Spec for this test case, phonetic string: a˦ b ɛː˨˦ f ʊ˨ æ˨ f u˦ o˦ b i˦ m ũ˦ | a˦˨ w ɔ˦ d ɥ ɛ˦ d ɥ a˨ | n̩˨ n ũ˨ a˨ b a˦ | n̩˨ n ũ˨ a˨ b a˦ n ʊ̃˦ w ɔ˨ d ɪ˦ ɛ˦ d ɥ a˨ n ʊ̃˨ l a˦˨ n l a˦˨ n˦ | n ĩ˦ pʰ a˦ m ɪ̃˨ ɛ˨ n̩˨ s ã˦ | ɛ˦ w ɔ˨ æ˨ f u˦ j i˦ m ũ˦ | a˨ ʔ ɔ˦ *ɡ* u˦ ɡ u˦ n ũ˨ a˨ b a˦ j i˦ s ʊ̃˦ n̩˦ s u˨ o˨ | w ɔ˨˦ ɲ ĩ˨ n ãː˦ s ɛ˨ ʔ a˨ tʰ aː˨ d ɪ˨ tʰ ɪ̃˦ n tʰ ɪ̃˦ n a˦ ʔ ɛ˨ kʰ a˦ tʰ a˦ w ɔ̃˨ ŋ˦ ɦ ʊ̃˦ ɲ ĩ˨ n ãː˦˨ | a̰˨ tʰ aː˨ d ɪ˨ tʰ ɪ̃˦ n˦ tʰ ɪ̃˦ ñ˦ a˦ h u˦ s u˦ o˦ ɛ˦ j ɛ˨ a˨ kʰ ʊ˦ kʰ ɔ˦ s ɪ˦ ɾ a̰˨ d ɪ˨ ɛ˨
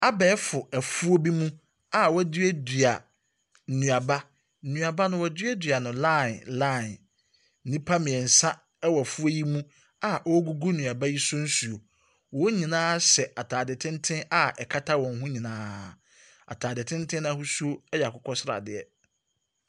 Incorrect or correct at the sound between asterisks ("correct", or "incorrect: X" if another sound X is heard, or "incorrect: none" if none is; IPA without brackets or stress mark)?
correct